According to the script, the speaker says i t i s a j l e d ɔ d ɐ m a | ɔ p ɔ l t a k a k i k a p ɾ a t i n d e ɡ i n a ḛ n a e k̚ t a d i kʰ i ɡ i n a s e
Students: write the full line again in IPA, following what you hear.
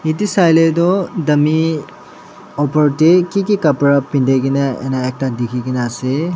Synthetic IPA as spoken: i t i s a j l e d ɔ d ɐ m i | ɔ p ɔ ɾ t e k i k i k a p ɾ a p i n d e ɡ i n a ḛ n a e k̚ t a d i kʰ i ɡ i n a s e